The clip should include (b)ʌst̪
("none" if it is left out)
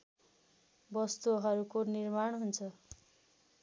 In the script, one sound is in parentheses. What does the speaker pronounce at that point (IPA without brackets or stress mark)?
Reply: b